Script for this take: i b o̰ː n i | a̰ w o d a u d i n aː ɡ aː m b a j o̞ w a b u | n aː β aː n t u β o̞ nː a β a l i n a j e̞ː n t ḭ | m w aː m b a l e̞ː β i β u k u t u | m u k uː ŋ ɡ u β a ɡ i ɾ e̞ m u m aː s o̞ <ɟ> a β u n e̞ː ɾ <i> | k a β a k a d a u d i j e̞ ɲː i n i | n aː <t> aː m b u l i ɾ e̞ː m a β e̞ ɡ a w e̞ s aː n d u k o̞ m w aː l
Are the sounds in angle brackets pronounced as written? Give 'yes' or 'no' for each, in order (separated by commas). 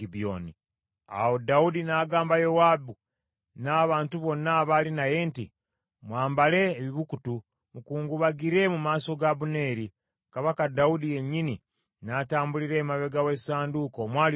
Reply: no, yes, yes